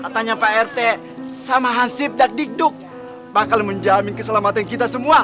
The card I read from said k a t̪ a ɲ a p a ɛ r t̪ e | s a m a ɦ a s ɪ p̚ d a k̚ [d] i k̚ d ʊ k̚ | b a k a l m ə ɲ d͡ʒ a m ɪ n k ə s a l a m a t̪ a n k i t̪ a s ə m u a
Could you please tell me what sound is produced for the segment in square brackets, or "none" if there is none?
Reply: d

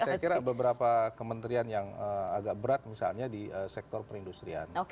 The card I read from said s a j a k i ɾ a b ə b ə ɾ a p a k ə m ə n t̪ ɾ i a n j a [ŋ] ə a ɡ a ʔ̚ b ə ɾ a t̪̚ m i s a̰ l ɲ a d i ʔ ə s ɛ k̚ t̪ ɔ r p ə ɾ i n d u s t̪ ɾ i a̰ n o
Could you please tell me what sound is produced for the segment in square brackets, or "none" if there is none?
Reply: ŋ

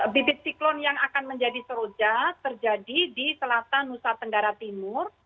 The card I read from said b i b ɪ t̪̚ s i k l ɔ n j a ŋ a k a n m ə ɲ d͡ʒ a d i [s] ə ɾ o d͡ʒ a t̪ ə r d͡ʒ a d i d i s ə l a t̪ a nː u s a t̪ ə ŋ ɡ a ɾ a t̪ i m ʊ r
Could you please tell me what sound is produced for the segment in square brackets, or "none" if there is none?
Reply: s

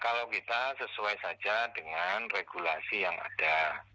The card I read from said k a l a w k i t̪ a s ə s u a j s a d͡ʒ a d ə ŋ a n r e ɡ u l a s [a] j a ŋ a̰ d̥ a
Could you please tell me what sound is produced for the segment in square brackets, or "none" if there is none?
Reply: i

